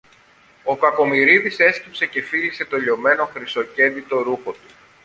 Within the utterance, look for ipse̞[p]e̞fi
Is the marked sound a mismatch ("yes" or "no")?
yes